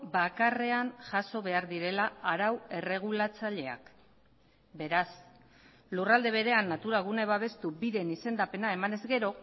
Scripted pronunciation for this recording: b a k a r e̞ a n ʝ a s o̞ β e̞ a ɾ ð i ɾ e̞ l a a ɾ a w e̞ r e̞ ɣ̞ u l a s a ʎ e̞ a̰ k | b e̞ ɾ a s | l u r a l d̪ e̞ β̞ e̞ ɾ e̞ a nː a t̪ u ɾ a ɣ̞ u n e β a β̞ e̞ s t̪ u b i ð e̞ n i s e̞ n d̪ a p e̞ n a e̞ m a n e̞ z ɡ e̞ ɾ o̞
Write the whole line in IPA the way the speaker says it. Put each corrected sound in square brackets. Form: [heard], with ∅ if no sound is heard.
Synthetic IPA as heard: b a k a r e̞ a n ʝ a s o̞ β e̞ a ɾ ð i ɾ e̞ l a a ɾ a w e̞ r e̞ ɣ̞ u l a [t͡s] a ʎ e̞ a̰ k | b e̞ ɾ a s | l u r a l d̪ e̞ β̞ e̞ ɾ e̞ a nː a t̪ u ɾ a ɣ̞ u n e β a β̞ e̞ s t̪ u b i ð e̞ n i s e̞ n d̪ a p e̞ n a e̞ m a n e̞ z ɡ e̞ ɾ o̞

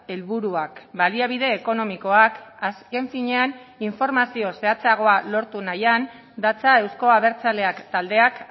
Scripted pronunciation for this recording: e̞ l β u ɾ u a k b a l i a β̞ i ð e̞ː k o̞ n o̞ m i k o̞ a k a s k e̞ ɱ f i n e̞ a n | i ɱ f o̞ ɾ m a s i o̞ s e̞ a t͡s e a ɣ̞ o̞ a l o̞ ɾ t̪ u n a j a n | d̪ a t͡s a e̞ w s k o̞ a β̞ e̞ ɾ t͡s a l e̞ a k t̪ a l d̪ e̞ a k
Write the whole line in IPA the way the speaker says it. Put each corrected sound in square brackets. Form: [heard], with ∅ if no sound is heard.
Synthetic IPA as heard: e̞ l β u ɾ u a k b a l i a β̞ i ð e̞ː k o̞ n o̞ m i k o̞ a k a s k e̞ ɱ f i [ɲ] e̞ a n | i ɱ f o̞ ɾ m a s i o̞ s e̞ a t͡s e a ɣ̞ o̞ a l o̞ ɾ t̪ u n a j a n | d̪ a t͡s a e̞ w s k o̞ a β̞ e̞ ɾ t͡s a l e̞ a k t̪ a l d̪ e̞ a k

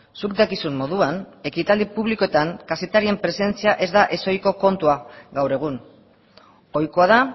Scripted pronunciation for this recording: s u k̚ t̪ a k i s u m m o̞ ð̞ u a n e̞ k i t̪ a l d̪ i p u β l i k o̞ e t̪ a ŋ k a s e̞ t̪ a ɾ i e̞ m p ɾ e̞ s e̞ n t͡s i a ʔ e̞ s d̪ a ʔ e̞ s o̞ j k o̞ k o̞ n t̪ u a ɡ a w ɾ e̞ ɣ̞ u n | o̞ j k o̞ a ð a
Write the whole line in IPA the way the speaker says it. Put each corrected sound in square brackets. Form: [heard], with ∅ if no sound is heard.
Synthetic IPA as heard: s u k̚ [d̪] a k i s u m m o̞ ð̞ u a n e̞ k i t̪ a l d̪ i p u β l i k o̞ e t̪ a ŋ k a s e̞ t̪ a ɾ i e̞ m p ɾ e̞ s e̞ n t͡s i a ʔ e̞ [z] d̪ a ʔ e̞ s o̞ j k o̞ k o̞ n t̪ u a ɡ a w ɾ e̞ ɣ̞ u n | o̞ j k o̞ a ð a

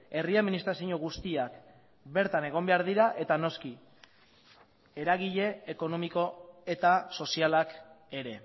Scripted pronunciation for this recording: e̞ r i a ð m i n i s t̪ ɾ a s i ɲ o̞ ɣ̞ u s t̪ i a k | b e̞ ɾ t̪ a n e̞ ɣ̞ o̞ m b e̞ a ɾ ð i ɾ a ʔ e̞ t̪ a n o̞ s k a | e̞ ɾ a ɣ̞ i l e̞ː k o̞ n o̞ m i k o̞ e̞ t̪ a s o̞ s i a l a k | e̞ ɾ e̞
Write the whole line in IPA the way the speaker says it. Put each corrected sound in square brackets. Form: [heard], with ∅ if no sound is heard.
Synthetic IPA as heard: e̞ r i a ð m i n i s t̪ ɾ a s i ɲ o̞ ɣ̞ u s t̪ i a k | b e̞ ɾ t̪ a n e̞ ɣ̞ o̞ m b e̞ a ɾ ð i ɾ a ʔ e̞ t̪ a n o̞ s k [i] | e̞ ɾ a ɣ̞ i [ʎ] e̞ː k o̞ n o̞ m i k o̞ e̞ t̪ a s o̞ s i a l a k | e̞ ɾ e̞

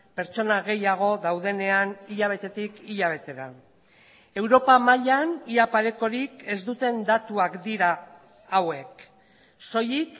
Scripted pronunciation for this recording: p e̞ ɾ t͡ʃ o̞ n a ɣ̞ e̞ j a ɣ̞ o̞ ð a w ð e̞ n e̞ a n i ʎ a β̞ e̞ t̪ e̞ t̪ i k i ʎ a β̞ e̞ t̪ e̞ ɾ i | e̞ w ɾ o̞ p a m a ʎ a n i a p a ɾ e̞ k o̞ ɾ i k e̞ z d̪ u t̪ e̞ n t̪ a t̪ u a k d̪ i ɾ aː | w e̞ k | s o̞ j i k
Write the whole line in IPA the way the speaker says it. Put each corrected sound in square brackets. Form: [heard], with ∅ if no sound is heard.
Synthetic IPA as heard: p e̞ ɾ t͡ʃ o̞ n a ɣ̞ e̞ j a ɣ̞ o̞ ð a w ð e̞ n e̞ a n i ʎ a β̞ e̞ t̪ e̞ t̪ i k i ʎ a β̞ e̞ t̪ e̞ ɾ [a] | e̞ w ɾ o̞ p a m a ʎ a n i a p a ɾ e̞ k o̞ ɾ i k e̞ z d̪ u t̪ e̞ n [d̪] a t̪ u a k d̪ i ɾ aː | w e̞ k | s o̞ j i k

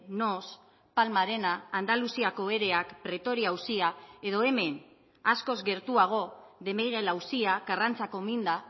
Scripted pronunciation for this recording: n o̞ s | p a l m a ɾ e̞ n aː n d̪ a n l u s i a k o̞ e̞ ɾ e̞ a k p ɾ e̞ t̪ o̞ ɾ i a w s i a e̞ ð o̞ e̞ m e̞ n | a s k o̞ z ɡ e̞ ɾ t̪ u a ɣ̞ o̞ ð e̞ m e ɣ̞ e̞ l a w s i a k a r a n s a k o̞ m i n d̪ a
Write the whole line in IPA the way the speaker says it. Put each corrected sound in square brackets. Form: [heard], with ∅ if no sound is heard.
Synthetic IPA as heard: n o̞ s | p a l m a ɾ e̞ n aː n d̪ a [∅] l u s i a k o̞ e̞ ɾ e̞ a k p ɾ e̞ t̪ o̞ ɾ i a w s i a e̞ ð o̞ e̞ m e̞ n | a s k o̞ z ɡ e̞ ɾ t̪ u a ɣ̞ o̞ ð e̞ m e ɣ̞ e̞ l a w s i a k a r a n [t͡s] a k o̞ m i n d̪ a

